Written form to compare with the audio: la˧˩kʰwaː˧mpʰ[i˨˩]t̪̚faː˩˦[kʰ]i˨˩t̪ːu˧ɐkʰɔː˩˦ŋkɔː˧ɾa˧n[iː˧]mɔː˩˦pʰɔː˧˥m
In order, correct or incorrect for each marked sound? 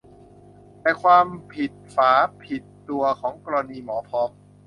correct, incorrect: pʰ, correct

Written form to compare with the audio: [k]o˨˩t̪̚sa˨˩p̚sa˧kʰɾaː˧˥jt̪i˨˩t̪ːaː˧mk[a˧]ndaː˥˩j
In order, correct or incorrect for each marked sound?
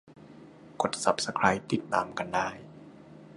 correct, correct

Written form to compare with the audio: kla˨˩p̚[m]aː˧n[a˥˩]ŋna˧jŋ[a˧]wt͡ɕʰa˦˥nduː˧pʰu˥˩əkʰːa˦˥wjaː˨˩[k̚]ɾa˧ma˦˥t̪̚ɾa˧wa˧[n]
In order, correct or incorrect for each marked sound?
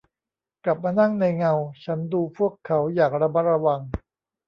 correct, correct, correct, correct, incorrect: ŋ

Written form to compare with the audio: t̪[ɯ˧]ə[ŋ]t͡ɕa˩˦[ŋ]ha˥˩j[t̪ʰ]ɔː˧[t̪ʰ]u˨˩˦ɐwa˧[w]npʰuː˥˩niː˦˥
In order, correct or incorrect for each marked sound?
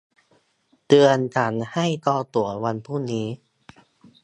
correct, incorrect: n, incorrect: n, incorrect: t̪, incorrect: t̪, incorrect: none

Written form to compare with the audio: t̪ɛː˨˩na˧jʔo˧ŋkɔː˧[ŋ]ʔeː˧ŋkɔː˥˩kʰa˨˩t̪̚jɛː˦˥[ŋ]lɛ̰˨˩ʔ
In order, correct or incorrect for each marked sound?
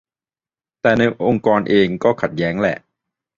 incorrect: n, correct

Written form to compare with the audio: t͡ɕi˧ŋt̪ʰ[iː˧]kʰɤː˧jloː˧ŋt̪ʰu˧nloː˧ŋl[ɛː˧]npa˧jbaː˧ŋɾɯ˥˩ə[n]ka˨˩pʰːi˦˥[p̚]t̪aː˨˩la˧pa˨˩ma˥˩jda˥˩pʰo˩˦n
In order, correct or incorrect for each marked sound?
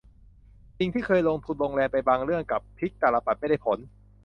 incorrect: iː˥˩, correct, incorrect: ŋ, incorrect: k̚

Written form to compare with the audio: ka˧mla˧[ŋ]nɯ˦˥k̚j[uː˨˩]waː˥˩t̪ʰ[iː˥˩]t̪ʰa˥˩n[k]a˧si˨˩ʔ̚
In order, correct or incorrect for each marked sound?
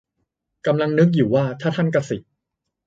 correct, correct, incorrect: aː˥˩, correct

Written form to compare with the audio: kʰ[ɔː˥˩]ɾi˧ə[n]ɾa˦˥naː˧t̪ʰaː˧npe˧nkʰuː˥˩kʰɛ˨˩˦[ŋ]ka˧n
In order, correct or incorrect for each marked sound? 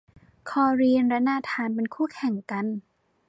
incorrect: ɔː˧, correct, correct

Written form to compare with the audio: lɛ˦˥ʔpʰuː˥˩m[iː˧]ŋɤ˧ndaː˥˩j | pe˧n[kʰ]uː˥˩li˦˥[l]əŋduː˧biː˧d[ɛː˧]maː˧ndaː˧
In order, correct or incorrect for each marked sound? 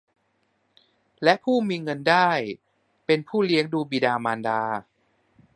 correct, incorrect: pʰ, incorrect: none, incorrect: aː˧

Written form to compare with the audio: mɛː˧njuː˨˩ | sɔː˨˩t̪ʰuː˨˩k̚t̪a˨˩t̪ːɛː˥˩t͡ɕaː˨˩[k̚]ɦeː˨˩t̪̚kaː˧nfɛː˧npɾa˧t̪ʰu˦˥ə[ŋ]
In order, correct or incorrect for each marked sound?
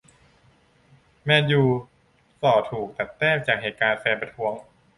correct, correct

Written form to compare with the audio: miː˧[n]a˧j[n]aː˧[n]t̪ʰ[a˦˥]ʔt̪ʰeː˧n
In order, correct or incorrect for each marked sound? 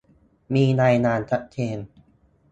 correct, correct, correct, correct

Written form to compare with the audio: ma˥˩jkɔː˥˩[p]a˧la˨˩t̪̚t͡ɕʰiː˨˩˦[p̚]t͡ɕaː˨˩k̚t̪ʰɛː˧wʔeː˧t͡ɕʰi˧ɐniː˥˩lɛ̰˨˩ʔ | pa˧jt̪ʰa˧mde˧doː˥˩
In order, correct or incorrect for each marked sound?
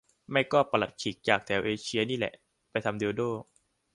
correct, incorrect: k̚

